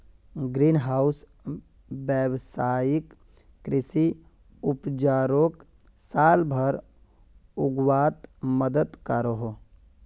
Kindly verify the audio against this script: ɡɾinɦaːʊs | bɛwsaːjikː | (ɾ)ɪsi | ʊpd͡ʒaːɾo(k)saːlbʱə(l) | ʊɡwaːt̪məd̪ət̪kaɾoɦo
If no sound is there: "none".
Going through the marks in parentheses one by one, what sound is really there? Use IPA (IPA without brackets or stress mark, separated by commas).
ɾ, k, ɾ